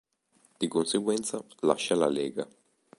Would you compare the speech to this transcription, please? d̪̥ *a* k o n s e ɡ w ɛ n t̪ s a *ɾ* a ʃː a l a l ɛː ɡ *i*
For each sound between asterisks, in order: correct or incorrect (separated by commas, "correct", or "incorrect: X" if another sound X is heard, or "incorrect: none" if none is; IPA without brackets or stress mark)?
incorrect: i, incorrect: l, incorrect: a